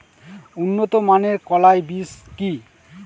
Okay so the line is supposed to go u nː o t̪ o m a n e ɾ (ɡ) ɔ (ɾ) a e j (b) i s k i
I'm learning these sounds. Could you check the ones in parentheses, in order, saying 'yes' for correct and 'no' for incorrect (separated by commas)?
no, no, yes